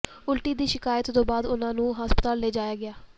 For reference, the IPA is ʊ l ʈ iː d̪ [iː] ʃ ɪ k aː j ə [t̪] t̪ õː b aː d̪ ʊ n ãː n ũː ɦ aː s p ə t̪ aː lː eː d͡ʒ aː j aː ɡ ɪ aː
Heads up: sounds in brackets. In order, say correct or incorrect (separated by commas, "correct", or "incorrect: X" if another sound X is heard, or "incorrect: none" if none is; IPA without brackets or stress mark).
correct, correct